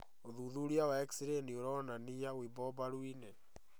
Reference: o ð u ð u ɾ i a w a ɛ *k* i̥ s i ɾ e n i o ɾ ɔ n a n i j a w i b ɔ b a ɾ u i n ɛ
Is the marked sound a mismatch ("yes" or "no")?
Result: no